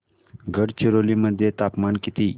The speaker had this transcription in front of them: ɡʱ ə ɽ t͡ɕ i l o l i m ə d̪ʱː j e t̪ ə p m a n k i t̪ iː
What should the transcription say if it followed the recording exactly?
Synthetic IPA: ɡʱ ə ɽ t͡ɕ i ɾ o l i m ə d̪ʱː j e t̪ a p m a n k i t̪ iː